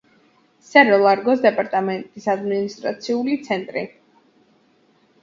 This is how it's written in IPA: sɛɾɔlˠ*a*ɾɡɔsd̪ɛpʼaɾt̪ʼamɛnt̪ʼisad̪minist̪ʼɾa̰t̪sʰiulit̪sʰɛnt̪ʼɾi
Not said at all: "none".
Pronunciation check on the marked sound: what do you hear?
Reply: a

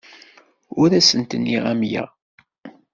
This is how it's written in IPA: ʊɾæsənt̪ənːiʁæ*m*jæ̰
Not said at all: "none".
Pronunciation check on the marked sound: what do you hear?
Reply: m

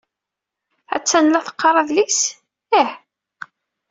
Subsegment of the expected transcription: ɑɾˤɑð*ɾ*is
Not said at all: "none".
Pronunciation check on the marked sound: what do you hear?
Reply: l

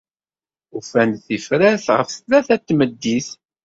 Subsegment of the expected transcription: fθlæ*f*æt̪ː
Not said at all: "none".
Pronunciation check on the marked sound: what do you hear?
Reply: θ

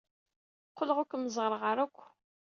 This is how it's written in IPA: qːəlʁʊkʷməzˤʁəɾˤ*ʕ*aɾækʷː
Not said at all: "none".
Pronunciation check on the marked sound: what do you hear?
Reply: ʁ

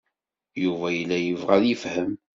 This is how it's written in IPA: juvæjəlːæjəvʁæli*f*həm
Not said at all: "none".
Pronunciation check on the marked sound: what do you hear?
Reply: f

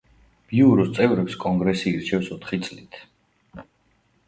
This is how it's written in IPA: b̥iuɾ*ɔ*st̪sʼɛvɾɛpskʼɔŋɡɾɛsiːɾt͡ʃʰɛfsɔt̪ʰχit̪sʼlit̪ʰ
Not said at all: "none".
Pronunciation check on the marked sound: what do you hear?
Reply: ɔ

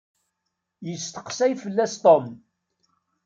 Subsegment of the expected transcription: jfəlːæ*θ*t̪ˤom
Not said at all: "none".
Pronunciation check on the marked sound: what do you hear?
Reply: s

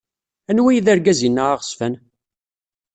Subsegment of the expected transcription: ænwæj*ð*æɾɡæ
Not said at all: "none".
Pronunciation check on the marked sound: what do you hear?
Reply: ð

